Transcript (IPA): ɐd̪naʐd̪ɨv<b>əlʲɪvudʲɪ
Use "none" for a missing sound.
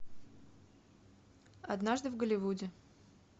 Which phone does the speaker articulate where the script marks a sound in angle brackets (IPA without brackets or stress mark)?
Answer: ɡ